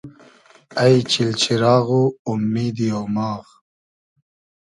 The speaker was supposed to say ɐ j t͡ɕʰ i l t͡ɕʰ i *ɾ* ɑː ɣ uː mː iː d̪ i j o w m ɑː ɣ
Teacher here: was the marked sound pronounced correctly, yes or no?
yes